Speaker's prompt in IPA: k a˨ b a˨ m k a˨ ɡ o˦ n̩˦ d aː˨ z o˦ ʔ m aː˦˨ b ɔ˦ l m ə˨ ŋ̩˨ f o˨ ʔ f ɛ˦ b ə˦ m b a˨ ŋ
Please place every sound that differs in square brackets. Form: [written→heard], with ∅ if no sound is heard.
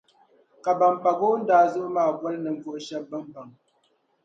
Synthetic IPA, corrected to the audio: k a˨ b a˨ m [k→p] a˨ ɡ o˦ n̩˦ d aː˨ z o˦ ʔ m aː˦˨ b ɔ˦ l [m→n] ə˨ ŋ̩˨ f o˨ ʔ [f→ʃ] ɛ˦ b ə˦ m b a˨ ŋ